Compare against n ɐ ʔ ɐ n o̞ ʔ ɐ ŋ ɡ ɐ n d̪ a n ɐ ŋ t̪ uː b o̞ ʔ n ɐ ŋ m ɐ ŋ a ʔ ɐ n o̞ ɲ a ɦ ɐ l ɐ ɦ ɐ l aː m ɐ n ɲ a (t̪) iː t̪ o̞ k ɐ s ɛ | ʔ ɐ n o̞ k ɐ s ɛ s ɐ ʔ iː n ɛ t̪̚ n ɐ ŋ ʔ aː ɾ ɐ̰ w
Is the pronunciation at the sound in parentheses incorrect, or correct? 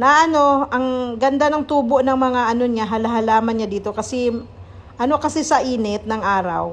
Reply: incorrect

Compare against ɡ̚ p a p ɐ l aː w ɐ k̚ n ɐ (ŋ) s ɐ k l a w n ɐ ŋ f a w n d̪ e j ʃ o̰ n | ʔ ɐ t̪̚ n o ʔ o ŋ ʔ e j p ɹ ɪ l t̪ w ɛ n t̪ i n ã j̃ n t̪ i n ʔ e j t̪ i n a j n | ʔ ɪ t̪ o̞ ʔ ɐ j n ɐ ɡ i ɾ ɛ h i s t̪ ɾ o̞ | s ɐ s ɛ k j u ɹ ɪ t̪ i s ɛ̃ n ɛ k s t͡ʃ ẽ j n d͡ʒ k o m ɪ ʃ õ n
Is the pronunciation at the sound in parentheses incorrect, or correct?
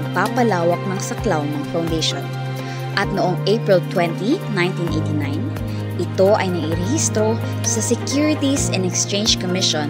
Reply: correct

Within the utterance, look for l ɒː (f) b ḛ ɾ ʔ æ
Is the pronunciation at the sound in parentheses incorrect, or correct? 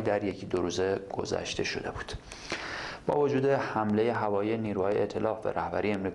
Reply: correct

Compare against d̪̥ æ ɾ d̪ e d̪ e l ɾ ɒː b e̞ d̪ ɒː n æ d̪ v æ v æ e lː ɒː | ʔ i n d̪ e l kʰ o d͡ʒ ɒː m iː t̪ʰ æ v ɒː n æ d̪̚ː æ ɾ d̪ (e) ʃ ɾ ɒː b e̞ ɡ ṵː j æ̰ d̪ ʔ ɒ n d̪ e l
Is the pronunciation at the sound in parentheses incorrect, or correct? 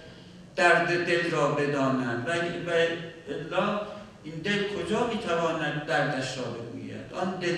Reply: incorrect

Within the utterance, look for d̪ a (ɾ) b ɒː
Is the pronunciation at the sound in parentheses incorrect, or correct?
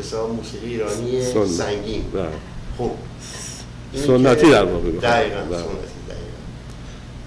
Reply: correct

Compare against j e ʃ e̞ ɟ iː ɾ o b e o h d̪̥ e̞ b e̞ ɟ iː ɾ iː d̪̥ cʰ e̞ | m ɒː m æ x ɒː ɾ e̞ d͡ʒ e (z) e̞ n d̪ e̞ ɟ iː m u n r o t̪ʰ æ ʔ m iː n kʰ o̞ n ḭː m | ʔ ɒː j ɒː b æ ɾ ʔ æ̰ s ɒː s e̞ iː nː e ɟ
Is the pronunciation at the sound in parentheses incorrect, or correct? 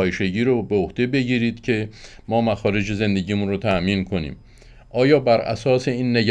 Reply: correct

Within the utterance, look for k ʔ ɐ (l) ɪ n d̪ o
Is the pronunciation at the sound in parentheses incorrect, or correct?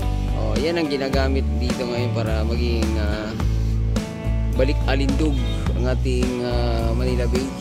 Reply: correct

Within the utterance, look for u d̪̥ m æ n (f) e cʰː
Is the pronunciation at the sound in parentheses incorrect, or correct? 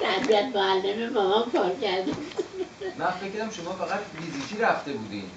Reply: correct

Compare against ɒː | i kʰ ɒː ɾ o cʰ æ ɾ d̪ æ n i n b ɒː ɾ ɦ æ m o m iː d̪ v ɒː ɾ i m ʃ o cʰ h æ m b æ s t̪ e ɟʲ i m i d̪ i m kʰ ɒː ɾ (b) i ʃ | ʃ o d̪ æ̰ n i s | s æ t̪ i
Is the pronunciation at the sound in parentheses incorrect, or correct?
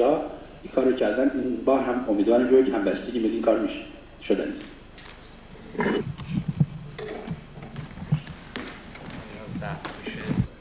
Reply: incorrect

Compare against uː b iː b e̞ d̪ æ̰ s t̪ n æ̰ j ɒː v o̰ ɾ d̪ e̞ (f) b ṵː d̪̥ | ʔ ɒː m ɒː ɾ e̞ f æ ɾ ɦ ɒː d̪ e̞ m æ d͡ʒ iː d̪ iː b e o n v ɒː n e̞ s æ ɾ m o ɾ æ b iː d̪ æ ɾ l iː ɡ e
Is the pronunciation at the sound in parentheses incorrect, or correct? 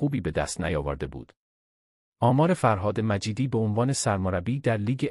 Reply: incorrect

